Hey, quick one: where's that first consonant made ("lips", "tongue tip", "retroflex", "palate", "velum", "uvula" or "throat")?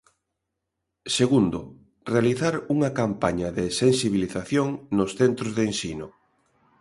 tongue tip